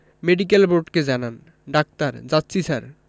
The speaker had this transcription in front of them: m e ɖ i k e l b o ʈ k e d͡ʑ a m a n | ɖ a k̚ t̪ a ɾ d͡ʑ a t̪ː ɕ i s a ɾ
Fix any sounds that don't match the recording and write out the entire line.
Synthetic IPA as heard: m e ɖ i k e l b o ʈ k e d͡ʑ a n a n | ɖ a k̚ t̪ a ɾ d͡ʑ a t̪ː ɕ i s a ɾ